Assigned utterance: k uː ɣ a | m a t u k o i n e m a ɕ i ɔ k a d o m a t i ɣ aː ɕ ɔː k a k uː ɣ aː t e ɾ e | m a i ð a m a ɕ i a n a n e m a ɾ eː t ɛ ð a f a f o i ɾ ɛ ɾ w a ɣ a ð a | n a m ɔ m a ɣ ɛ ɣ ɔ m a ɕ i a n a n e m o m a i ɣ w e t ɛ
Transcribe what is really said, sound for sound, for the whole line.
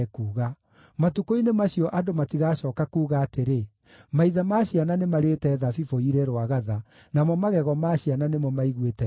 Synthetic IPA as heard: k uː ɣ a | m a t u k o i n e m a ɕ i ɔ ʔ a d o m a t i ɣ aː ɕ ɔː k a k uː ɣ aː t e ɾ e | m a i ð a m a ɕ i a n a n e m a ɾ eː t ɛ ð a f i f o i ɾ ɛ ɾ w a ɣ a ð a | n a m ɔ m a ɣ ɛ ɣ ɔ m a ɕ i a n a n e m ɔ m a i ɣ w e t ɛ